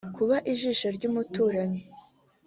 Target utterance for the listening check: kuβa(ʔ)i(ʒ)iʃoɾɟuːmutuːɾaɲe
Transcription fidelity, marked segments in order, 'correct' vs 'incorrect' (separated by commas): correct, correct